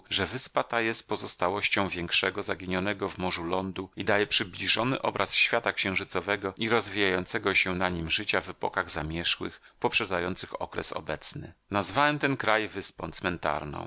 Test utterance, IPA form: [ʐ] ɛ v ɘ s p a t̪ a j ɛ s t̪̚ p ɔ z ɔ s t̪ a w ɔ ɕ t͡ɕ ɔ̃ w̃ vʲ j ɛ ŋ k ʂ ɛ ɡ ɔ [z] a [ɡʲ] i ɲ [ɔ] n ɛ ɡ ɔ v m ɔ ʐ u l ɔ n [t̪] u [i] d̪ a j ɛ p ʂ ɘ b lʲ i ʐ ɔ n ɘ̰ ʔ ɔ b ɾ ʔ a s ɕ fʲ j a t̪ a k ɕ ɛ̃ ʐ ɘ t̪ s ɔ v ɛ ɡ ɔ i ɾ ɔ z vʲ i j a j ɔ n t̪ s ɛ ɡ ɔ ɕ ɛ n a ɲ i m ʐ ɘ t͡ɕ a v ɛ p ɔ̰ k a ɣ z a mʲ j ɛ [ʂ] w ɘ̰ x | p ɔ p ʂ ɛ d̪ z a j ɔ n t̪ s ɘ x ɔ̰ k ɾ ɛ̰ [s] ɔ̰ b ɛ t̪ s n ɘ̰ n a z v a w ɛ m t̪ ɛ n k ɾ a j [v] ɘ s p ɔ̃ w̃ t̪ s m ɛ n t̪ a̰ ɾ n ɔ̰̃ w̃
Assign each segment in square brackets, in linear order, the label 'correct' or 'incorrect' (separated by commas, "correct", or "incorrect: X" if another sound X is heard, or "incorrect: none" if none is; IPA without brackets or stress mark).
correct, correct, correct, correct, incorrect: d̪, correct, correct, correct, correct